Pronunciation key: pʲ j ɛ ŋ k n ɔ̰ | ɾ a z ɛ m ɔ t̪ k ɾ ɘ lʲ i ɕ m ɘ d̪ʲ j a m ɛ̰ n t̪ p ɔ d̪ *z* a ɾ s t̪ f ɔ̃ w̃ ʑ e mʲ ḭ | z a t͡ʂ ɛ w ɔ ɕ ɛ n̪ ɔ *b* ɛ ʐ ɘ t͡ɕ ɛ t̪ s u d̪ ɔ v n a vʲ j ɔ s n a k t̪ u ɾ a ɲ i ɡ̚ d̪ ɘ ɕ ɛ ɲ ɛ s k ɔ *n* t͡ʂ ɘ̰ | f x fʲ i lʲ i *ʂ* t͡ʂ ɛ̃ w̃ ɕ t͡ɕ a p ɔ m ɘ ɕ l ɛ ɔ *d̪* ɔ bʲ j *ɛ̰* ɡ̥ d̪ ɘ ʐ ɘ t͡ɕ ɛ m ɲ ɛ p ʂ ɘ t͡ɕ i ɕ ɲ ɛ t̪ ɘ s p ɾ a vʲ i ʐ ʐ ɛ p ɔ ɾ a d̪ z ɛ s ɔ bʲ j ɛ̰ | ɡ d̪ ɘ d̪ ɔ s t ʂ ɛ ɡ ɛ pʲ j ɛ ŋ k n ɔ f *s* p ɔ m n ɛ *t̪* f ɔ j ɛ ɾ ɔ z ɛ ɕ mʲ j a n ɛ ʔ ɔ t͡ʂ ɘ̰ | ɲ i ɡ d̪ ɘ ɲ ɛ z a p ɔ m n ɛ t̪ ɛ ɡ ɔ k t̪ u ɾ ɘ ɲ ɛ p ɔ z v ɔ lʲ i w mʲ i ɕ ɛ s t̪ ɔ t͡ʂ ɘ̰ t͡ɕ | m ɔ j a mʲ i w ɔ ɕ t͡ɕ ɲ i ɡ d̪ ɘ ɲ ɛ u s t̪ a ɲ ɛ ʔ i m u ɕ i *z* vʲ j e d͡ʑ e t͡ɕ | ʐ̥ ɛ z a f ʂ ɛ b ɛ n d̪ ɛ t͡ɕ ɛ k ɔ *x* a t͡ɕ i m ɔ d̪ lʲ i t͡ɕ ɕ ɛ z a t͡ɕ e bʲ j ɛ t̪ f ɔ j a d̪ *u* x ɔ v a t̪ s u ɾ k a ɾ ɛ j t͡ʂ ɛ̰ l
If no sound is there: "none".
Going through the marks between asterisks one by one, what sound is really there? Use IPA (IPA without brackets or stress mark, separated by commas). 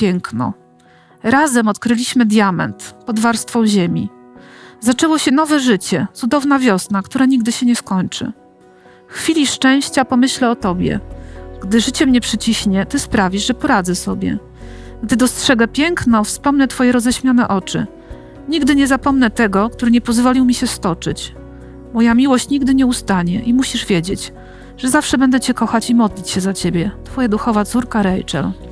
v, v, ɲ, ʂ, t̪, ɛ̰, s, t̪, ʐ, x, u